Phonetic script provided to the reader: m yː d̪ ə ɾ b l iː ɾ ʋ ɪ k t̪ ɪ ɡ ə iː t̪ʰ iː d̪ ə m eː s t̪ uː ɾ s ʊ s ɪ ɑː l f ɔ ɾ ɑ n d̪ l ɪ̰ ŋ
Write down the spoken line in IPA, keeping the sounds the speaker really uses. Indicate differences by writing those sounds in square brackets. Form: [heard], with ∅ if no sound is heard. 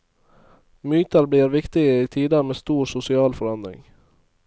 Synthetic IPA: m yː [t̪] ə ɾ b l iː ɾ ʋ ɪ k t̪ ɪ ɡ ə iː t̪ʰ iː d̪ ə m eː s t̪ uː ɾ s ʊ s ɪ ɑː l f ɔ ɾ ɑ n d̪ [ɾ] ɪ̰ ŋ